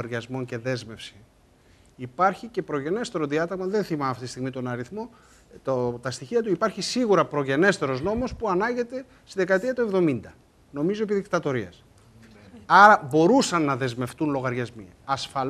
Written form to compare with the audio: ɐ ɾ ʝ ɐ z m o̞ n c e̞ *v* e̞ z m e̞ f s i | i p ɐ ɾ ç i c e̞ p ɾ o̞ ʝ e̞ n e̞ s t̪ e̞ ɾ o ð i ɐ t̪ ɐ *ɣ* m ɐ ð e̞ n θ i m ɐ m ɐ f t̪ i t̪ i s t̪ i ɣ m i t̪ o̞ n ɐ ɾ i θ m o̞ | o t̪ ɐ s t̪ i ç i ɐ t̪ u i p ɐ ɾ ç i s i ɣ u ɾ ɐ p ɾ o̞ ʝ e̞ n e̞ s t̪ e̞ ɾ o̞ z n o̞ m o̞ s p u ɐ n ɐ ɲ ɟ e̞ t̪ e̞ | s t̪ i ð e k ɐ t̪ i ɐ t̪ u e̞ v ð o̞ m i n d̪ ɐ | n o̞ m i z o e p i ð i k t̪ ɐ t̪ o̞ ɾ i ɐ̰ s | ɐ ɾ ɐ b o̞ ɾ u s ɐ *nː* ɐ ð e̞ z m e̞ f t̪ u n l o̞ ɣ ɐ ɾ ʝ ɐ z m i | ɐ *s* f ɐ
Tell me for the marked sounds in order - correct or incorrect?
incorrect: ð, correct, correct, correct

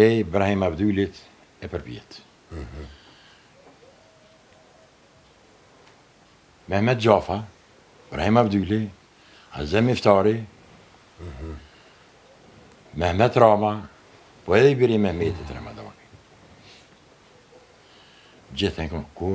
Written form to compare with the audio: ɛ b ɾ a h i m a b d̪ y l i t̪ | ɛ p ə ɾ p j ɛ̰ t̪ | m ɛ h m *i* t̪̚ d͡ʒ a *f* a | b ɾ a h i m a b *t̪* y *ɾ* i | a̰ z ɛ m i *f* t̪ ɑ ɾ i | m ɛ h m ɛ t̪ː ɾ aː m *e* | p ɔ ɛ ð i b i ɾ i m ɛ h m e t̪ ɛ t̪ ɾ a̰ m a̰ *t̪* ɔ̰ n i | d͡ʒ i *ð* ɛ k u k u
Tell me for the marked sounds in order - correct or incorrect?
incorrect: ɛ, correct, incorrect: d̪, incorrect: l, correct, incorrect: a, incorrect: d̪, incorrect: θ

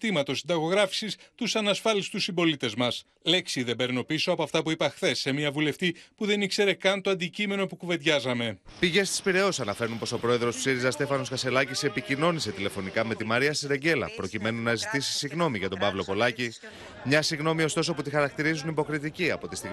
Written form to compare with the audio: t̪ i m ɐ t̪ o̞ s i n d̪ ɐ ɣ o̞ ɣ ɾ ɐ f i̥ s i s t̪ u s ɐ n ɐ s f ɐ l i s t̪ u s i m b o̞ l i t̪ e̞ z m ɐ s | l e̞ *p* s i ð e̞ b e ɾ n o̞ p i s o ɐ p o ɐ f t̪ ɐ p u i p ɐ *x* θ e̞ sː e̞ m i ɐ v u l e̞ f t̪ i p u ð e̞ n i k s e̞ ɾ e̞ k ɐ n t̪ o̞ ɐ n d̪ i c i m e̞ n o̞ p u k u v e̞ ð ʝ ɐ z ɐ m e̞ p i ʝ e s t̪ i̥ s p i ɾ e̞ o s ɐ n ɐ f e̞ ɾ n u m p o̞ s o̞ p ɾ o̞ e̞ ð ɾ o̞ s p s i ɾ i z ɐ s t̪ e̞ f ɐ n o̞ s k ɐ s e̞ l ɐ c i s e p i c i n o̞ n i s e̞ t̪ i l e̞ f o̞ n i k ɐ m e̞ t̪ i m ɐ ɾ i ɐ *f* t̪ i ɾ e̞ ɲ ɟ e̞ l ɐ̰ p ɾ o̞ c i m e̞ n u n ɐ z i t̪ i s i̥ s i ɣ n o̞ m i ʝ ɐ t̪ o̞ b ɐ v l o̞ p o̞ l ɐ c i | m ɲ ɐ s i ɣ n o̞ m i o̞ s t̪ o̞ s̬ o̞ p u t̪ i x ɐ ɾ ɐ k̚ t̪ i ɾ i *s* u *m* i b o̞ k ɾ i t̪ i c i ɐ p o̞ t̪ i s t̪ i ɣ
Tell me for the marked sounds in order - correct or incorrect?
incorrect: k, correct, incorrect: s, incorrect: z, incorrect: n

